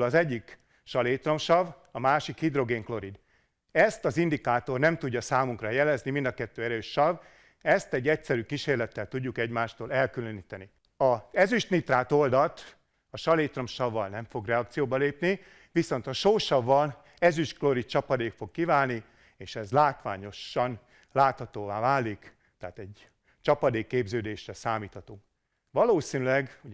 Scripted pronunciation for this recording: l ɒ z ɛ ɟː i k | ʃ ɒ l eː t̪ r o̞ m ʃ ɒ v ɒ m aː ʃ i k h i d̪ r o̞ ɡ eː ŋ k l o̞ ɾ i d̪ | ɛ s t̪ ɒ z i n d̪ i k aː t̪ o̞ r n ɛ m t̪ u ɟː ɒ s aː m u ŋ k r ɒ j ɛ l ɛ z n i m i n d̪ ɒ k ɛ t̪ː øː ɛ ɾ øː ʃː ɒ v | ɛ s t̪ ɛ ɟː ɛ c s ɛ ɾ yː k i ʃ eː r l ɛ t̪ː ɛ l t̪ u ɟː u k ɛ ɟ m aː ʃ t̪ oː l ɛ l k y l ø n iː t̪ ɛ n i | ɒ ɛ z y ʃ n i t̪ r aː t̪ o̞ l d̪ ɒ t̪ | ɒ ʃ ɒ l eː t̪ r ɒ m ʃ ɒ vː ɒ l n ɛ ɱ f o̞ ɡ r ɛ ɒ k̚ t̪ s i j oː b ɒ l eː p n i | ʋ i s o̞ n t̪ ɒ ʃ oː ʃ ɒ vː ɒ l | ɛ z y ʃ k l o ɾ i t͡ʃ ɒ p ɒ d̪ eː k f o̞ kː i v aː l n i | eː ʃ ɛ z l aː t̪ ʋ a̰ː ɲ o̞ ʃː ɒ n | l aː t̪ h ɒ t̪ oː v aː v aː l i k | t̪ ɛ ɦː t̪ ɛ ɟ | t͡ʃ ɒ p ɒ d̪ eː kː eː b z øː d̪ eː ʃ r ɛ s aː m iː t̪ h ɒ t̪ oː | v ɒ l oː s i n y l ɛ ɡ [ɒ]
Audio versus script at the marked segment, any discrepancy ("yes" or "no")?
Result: yes